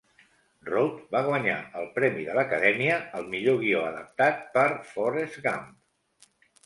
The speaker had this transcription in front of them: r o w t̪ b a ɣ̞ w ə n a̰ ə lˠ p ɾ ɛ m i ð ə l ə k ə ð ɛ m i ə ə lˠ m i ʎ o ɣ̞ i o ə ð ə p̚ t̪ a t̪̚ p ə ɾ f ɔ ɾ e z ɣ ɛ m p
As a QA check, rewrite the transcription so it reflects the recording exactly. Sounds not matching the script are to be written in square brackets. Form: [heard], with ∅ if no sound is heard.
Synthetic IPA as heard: r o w t̪ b a ɣ̞ w ə [ɲ] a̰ ə lˠ p ɾ ɛ m i ð ə l ə k ə ð ɛ m i ə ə lˠ m i ʎ o ɣ̞ i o ə ð ə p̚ t̪ a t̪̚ p ə ɾ f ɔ ɾ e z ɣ [a] m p

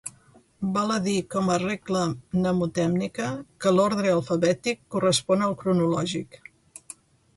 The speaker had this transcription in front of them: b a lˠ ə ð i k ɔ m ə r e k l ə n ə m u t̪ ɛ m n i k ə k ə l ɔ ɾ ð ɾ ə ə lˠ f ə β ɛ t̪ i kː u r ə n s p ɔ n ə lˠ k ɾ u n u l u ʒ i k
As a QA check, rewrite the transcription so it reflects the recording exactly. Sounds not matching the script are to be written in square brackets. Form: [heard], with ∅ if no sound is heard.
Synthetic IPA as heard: b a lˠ ə ð i k ɔ m ə r e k l ə n ə m u t̪ ɛ m n i k ə k ə l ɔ ɾ ð ɾ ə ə lˠ f ə β ɛ t̪ i kː u r ə [∅] s p ɔ n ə lˠ k ɾ u n u l [ɔ] ʒ i k

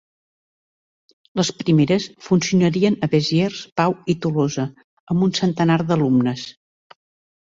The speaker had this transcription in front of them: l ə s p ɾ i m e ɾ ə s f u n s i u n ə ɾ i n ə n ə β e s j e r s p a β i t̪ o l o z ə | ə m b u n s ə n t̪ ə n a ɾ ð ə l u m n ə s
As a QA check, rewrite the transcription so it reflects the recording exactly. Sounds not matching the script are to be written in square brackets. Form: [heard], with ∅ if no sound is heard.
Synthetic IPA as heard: l ə s p ɾ i m e ɾ ə s f u n s i u n ə ɾ i [∅] ə n ə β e [z] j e r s p a [w] i t̪ [u] l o z ə | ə m b u n s ə n t̪ ə n a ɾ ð ə l u m n ə s

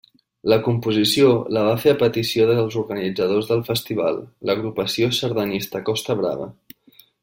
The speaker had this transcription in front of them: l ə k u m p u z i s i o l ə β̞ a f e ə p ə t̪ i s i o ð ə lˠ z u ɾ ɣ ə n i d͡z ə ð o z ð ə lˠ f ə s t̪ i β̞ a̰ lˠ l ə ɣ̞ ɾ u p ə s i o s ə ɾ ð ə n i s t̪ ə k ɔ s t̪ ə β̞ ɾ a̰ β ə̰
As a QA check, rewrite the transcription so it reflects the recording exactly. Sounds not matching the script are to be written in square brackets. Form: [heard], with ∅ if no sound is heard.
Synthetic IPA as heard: l ə k u m p u z i s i o l ə β̞ a f e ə p ə t̪ i s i o ð ə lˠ z u ɾ ɣ ə n i d͡z ə ð o z ð ə lˠ f ə s t̪ i β̞ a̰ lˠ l ə ɣ̞ ɾ u p ə s i o s ə ɾ ð ə n i s t̪ ə k ɔ s t̪ ə β̞ ɾ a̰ β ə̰

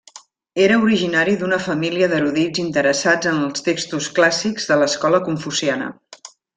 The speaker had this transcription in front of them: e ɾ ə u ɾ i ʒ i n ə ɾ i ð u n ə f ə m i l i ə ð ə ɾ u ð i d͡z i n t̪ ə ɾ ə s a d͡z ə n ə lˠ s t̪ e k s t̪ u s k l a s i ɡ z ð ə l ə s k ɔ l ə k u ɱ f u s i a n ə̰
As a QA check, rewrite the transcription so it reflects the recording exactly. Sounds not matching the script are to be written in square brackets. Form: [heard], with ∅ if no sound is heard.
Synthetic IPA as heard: e ɾ ə u ɾ i ʒ i n [a] ɾ i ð u n ə f ə m i l i ə ð ə ɾ u ð i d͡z i n t̪ ə ɾ ə s a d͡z ə n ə lˠ s t̪ e k s t̪ u s k l a s i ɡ z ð ə l ə s k ɔ l ə k u ɱ f u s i a n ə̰

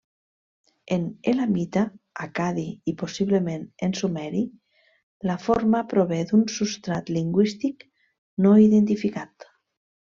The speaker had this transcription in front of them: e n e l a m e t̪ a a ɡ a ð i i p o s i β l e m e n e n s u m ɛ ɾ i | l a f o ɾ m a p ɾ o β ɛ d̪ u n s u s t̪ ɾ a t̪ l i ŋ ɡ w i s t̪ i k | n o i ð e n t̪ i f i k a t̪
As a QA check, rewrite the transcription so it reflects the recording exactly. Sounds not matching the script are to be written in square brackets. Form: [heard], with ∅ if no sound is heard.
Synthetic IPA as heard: e n e l a m [i] t̪ a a [k] a ð i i p o s i β l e m e n e n s u m ɛ ɾ i | l a f o ɾ m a p ɾ o β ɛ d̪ u n s u s t̪ ɾ a t̪ l i ŋ ɡ w i s t̪ i k | n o i ð e n t̪ i f i k a t̪

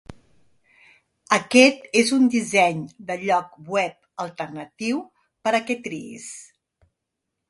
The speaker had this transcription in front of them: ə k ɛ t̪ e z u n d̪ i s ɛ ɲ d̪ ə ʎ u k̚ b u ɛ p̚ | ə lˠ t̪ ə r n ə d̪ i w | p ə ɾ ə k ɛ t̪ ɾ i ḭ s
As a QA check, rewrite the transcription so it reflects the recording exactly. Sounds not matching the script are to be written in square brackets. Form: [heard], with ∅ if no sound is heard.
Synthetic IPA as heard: ə k ɛ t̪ e z u n d̪ i [z] ɛ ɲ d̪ ə ʎ [ɔ] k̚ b [w] ɛ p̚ | ə lˠ t̪ ə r n ə [t̪] i w | p ə ɾ ə k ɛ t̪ ɾ i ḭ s

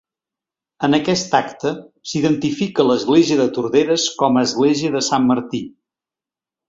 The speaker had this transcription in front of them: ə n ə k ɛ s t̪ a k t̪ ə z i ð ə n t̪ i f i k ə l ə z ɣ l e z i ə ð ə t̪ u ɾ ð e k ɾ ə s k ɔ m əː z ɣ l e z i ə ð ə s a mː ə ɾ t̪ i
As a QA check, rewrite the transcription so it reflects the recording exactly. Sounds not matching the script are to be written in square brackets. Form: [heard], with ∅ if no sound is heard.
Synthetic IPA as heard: ə n ə k ɛ s t̪ a k t̪ ə [s] i ð ə n t̪ i f i k ə l ə z ɣ l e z i ə ð ə t̪ u ɾ ð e [∅] ɾ ə s k ɔ m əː z ɣ l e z i ə ð ə s a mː ə ɾ t̪ i

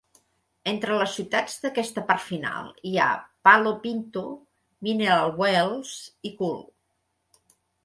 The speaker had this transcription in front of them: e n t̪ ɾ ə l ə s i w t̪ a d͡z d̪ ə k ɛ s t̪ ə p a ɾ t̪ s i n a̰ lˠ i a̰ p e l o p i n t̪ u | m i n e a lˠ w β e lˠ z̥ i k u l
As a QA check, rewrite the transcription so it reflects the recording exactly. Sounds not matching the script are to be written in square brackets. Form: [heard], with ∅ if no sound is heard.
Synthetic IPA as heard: e n t̪ ɾ ə l ə s i w t̪ a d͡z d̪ ə k ɛ s t̪ ə p a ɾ t̪ [f] i n a̰ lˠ i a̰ p [a] l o p i n t̪ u | m i n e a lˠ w [w] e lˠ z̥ i k u l

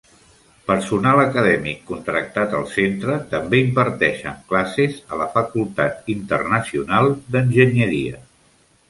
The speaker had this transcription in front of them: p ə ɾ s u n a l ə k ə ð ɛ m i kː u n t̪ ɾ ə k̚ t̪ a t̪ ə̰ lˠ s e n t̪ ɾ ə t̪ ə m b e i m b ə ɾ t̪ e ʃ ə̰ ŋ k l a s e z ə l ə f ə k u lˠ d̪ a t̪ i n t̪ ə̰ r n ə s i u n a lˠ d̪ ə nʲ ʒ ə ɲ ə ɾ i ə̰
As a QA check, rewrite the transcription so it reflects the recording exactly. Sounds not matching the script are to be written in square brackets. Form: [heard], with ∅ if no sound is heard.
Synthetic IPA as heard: p ə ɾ s u n a l ə k ə ð ɛ m i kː u n t̪ ɾ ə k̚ t̪ a t̪ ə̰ lˠ s e n t̪ ɾ ə t̪ ə m b e i m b ə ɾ t̪ [ɛ] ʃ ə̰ ŋ k l a s e z ə l ə f ə k u lˠ [t̪] a t̪ i n t̪ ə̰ r n ə s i u n a lˠ d̪ ə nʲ ʒ ə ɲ ə ɾ i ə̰

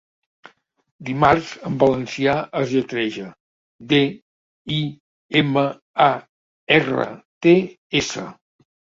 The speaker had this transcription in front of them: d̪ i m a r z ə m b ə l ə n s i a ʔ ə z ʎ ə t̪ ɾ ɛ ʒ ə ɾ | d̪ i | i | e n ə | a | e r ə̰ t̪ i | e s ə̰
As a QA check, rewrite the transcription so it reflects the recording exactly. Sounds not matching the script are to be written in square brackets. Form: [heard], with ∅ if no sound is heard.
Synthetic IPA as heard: d̪ i m a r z ə m b ə l ə n s i a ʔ ə z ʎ ə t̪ ɾ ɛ ʒ ə [∅] | d̪ [e] | i | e [m] ə | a | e r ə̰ t̪ [e] | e s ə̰

